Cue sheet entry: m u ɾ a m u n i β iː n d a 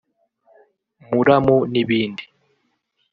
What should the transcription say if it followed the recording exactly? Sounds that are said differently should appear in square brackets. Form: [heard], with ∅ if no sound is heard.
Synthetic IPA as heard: m u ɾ a m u n i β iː n d [i]